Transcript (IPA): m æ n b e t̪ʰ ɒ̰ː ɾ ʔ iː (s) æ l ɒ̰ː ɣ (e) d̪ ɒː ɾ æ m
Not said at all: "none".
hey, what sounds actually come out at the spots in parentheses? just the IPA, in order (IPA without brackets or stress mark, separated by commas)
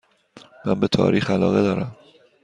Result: x, e